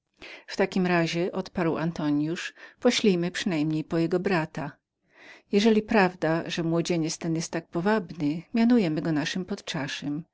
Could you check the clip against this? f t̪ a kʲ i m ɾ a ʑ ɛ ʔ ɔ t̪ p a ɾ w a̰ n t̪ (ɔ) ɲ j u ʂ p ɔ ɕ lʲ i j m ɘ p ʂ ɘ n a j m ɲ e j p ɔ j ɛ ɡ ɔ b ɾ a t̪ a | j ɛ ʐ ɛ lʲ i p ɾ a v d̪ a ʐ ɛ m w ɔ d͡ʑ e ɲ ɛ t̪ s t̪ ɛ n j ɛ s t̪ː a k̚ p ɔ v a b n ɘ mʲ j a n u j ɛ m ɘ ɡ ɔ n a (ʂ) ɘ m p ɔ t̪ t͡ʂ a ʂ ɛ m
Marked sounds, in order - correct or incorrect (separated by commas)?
correct, correct